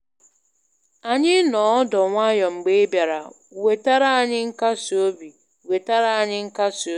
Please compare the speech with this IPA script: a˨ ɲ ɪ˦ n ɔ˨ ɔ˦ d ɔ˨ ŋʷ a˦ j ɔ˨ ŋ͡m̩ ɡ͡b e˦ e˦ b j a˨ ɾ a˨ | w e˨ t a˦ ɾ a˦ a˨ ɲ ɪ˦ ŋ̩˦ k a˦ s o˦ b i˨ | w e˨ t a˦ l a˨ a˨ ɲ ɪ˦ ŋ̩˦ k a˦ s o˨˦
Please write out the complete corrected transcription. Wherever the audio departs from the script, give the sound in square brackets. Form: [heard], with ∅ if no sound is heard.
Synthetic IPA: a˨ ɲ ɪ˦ n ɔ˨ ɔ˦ d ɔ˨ ŋʷ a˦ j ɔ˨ ŋ͡m̩ ɡ͡b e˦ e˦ b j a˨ ɾ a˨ | w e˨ t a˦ ɾ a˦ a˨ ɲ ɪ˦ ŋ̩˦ k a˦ s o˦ b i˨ | w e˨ t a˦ [ɾ] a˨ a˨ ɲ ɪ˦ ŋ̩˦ k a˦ s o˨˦